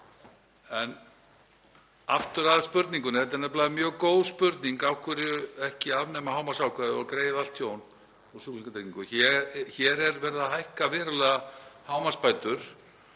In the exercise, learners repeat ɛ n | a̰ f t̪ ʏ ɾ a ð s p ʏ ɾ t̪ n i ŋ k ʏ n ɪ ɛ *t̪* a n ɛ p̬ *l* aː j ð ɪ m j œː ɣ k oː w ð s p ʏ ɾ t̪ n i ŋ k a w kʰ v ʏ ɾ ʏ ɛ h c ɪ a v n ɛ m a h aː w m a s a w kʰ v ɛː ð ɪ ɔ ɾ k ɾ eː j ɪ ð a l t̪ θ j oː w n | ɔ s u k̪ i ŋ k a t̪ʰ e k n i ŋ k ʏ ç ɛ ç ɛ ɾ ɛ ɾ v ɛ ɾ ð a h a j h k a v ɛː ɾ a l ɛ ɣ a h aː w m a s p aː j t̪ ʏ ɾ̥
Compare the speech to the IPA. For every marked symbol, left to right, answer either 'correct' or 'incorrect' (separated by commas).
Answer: correct, correct